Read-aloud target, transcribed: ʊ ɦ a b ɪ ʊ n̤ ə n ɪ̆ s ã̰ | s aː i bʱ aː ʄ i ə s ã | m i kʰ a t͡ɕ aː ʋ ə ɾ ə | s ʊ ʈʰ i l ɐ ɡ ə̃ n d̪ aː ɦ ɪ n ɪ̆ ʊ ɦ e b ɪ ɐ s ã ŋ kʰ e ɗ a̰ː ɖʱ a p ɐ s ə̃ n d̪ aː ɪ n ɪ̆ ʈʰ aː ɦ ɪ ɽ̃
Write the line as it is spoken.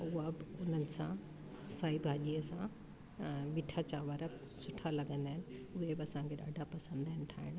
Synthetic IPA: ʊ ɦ a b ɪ ʊ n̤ ə n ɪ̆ s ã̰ | s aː i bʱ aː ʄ i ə s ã | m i ʈʰ a t͡ɕ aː ʋ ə ɾ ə | s ʊ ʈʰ a l ɐ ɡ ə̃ n d̪ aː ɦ ɪ n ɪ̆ ʊ ɦ e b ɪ ɐ s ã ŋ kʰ e ɗ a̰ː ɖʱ a p ɐ s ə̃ n d̪ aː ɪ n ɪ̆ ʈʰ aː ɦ ɪ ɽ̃